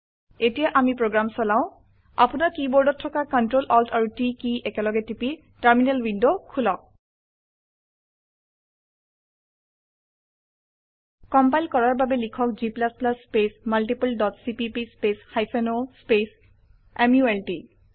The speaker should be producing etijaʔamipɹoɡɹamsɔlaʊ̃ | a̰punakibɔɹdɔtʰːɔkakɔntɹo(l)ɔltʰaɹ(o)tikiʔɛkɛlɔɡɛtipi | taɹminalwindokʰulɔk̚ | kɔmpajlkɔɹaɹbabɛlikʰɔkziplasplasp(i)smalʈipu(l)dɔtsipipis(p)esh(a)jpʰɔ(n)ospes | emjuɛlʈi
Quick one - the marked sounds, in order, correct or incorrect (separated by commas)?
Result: correct, incorrect, incorrect, correct, correct, correct, correct